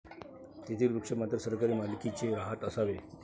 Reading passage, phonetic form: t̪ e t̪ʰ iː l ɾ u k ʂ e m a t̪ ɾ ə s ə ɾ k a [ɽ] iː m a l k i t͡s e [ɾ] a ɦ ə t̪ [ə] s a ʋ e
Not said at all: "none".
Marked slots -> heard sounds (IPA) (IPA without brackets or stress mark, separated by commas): ɾ, ɾ, ə